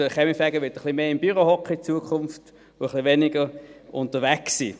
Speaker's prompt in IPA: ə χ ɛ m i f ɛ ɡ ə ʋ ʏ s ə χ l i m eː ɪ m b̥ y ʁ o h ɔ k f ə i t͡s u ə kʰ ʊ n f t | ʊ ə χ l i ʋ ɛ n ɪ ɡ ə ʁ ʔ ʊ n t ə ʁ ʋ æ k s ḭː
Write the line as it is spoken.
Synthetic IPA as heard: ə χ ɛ m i f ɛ ɡ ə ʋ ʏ t ə χ l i m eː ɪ m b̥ y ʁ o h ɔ k χ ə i t͡s u ə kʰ ʊ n f t | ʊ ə χ l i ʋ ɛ n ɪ ɡ ə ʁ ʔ ʊ n t ə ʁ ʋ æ k s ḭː